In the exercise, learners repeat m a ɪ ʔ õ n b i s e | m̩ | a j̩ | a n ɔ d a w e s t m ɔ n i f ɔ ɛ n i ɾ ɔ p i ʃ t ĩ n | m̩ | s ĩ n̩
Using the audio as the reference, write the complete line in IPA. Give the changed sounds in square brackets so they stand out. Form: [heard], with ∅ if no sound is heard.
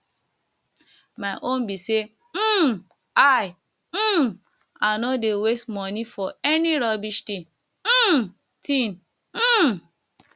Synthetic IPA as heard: m a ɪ ʔ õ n b i s e | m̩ | a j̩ | a n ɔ d [e] w e s t m ɔ n i f ɔ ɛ n i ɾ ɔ [b] i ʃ t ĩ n | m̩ | [t] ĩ n̩